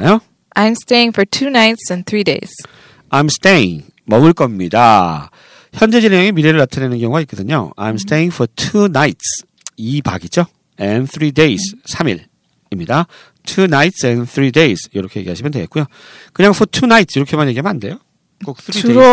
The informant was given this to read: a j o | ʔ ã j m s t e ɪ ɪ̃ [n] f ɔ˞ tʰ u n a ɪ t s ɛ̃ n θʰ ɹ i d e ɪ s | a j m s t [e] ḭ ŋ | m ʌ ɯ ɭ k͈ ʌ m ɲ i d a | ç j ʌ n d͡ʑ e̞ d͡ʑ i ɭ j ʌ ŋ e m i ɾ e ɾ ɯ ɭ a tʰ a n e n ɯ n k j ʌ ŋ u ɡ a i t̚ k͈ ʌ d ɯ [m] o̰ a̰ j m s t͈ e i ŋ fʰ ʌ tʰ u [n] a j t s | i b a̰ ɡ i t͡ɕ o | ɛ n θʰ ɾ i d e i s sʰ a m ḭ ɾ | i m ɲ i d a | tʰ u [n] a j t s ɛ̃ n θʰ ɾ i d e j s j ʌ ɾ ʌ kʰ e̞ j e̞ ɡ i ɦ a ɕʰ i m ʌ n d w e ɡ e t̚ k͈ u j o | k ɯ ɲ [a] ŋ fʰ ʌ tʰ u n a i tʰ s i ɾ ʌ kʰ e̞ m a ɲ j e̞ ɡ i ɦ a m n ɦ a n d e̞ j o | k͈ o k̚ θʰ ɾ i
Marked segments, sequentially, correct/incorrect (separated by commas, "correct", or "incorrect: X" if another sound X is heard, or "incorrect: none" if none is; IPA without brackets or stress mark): incorrect: ŋ, correct, incorrect: ɲ, correct, correct, correct